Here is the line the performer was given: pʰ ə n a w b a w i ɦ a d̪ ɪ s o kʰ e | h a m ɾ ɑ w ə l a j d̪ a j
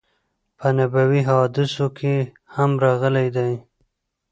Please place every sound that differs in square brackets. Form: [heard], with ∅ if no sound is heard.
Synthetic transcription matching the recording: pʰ ə n a [∅] b a w i ɦ [ɑ] d̪ ɪ s o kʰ e | h a m ɾ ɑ [ɣ] ə l a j d̪ a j